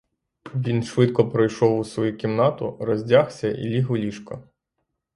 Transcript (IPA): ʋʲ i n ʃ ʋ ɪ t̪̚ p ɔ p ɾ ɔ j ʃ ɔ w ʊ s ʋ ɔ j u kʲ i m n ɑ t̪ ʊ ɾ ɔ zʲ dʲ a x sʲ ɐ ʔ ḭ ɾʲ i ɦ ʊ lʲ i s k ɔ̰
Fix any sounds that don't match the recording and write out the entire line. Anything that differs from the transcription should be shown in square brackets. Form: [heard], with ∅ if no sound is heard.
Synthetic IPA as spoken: ʋʲ i n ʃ ʋ ɪ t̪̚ [k] ɔ p ɾ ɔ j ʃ ɔ w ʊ s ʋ ɔ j u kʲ i m n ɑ t̪ ʊ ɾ ɔ zʲ dʲ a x sʲ ɐ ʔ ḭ [lʲ] i ɦ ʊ lʲ i [ʃ] k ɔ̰